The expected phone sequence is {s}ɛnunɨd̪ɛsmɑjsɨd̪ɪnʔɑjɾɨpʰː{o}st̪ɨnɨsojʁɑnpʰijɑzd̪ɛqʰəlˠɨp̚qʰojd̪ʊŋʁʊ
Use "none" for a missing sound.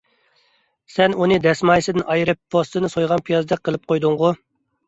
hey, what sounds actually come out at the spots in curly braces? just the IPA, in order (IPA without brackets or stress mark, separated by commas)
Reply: s, o